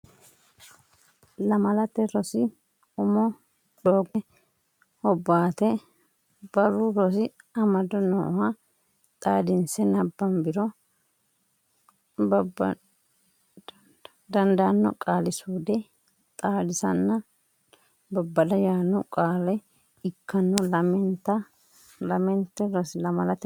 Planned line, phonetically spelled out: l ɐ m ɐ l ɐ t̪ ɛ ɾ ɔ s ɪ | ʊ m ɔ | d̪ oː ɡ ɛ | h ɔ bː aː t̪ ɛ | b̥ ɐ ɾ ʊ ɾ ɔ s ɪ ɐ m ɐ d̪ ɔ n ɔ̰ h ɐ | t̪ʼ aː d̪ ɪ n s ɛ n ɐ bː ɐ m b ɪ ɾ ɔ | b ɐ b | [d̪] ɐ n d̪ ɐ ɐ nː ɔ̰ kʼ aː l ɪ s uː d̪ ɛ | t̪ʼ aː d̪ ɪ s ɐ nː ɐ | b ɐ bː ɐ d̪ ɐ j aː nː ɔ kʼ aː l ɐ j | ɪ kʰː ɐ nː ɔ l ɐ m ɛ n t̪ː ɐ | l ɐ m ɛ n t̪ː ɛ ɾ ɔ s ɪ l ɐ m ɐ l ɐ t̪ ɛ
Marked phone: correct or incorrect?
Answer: correct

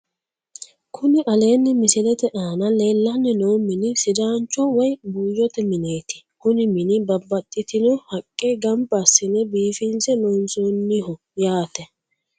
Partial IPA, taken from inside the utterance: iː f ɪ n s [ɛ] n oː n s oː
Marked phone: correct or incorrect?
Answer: correct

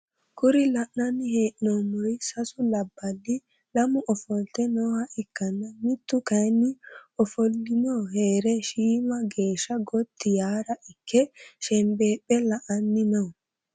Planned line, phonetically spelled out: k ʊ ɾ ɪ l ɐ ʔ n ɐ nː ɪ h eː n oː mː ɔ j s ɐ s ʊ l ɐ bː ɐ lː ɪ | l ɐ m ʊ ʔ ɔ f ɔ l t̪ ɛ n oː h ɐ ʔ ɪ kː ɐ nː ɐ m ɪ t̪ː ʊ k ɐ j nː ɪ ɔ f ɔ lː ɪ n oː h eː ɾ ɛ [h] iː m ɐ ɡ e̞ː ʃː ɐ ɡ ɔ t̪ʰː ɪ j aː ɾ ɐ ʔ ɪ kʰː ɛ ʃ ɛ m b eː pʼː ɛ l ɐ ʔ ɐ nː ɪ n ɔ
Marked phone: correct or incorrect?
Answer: incorrect: ʃ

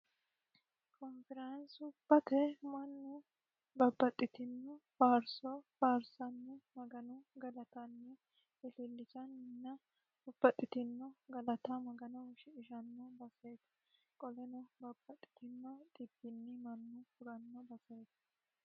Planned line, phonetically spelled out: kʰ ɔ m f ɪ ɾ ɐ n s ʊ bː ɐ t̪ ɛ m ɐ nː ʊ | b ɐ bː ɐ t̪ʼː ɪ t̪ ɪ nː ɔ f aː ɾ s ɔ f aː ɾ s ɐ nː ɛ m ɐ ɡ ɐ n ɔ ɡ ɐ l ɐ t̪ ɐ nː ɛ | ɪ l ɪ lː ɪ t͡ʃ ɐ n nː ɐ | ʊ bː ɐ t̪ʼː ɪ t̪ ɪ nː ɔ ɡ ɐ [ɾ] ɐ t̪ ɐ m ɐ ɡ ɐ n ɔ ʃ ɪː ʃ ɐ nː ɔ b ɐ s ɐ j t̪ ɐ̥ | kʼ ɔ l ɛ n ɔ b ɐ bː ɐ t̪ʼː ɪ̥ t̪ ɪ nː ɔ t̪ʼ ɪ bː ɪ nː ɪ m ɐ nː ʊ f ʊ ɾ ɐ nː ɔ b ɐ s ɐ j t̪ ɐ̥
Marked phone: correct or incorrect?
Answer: incorrect: l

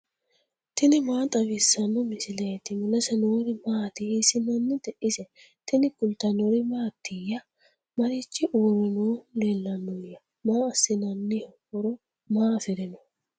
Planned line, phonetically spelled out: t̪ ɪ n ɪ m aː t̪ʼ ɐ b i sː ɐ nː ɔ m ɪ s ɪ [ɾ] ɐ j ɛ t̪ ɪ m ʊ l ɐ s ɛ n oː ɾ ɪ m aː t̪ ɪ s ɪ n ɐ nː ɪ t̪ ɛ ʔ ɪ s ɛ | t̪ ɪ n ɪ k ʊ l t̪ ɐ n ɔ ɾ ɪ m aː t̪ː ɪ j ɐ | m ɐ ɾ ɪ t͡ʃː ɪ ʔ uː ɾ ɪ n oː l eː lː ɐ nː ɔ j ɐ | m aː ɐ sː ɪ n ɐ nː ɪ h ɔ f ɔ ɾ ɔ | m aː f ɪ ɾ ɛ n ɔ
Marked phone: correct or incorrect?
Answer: incorrect: l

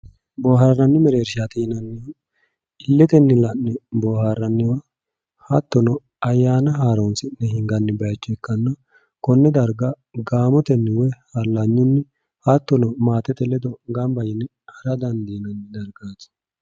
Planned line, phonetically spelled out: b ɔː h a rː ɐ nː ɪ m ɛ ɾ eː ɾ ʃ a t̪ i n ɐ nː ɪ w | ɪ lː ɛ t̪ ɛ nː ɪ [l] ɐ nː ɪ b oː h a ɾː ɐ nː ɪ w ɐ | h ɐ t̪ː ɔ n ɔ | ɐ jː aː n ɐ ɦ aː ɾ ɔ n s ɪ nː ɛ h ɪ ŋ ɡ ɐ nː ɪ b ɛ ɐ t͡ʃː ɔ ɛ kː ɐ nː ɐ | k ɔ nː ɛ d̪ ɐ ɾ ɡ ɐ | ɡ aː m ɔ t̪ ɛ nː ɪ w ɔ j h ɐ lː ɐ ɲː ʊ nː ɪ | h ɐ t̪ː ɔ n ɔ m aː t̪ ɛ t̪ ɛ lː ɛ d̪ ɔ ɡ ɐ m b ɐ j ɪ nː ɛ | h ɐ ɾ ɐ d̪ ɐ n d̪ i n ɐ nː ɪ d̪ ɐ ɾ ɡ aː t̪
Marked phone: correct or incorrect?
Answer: correct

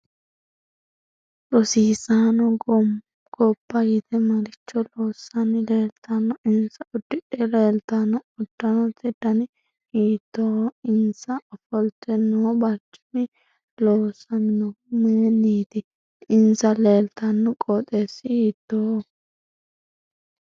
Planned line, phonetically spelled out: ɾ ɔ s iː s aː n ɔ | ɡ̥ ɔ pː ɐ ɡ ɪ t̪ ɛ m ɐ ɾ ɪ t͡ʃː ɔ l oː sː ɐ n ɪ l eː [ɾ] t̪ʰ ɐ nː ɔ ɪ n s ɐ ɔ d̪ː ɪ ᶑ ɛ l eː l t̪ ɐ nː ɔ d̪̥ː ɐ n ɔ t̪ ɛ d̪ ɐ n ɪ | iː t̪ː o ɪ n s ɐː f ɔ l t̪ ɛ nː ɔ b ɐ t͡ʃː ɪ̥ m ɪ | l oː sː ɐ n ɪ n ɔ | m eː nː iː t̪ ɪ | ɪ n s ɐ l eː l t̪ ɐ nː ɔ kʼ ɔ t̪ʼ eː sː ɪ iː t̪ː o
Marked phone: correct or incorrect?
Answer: incorrect: l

